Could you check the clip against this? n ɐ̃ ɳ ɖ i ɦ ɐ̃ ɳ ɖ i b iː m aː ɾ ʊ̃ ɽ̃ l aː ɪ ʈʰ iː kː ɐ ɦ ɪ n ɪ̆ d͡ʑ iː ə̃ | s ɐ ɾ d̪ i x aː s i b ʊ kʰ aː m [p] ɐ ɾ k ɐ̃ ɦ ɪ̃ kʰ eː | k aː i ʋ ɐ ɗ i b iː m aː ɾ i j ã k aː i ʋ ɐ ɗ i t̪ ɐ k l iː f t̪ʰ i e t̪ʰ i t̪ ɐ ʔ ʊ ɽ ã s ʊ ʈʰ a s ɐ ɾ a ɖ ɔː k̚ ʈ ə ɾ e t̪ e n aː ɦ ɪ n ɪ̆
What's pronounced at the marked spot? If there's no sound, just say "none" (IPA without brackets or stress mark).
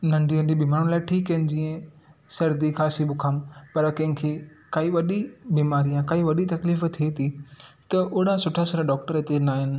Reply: p